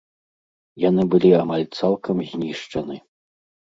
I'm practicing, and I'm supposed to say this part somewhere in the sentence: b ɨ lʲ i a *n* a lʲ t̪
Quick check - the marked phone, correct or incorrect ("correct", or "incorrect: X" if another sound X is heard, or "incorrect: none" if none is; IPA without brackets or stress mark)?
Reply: incorrect: m